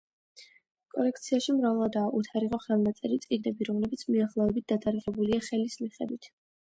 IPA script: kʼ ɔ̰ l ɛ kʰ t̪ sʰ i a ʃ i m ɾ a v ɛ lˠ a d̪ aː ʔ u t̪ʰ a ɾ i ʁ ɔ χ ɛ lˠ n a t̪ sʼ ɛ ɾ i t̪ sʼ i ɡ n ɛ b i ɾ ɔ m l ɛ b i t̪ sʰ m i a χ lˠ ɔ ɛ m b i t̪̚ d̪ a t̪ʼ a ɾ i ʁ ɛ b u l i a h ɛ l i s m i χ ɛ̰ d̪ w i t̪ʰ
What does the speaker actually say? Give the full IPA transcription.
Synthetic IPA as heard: kʼ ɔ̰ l ɛ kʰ t̪ sʰ i a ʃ i m ɾ a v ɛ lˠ a d̪ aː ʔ u t̪ʰ a ɾ i ʁ ɔ χ ɛ lˠ n a t̪ sʼ ɛ ɾ i t̪ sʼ i ɡ n ɛ b i ɾ ɔ m l ɛ b i t̪ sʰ m i a χ lˠ ɔ ɛ b i t̪̚ d̪ a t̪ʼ a ɾ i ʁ ɛ b u l i a χ ɛ l i s m i χ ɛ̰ d̪ w i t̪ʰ

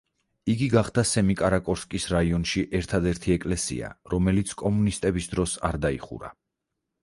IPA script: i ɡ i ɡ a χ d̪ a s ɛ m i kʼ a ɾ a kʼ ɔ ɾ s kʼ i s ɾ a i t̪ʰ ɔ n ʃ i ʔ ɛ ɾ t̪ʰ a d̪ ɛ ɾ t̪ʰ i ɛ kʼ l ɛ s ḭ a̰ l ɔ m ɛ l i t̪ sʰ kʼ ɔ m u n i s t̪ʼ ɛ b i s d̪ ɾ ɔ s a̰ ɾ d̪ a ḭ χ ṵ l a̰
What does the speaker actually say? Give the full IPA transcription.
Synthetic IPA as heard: i ɡ i ɡ a χ d̪ a s ɛ m i kʼ a ɾ a kʼ ɔ ɾ s kʼ i s ɾ a i ɔ n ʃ i ʔ ɛ ɾ t̪ʰ a d̪ ɛ ɾ t̪ʰ i ɛ kʼ l ɛ s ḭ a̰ ɾ ɔ m ɛ l i t̪ sʰ kʼ ɔ m u n i s t̪ʼ ɛ b i s d̪ ɾ ɔ s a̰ ɾ d̪ a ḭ χ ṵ ɾ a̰

